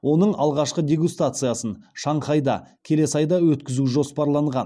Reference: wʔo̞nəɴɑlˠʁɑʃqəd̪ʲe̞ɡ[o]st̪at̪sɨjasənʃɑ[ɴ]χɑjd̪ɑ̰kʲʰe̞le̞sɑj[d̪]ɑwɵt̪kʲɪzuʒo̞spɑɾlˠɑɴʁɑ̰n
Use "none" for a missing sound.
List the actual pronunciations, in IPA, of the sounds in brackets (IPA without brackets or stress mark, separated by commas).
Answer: u, ɴ, d̪